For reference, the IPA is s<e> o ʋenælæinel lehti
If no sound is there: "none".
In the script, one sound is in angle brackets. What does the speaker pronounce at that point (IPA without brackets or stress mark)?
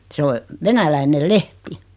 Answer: e